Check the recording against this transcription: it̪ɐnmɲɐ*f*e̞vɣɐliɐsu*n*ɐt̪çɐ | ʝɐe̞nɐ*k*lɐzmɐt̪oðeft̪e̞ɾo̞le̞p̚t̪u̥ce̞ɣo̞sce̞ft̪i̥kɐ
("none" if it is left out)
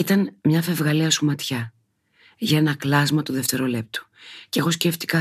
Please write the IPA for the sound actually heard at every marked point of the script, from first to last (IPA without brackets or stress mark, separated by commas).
f, m, k